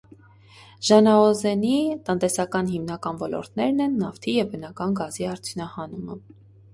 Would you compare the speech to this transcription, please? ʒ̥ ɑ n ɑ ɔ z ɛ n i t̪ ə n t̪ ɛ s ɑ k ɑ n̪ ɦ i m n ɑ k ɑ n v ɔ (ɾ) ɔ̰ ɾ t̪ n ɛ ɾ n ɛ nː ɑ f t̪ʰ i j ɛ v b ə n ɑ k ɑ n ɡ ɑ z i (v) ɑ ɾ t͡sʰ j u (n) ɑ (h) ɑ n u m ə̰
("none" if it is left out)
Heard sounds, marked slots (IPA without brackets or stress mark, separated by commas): l, none, n, h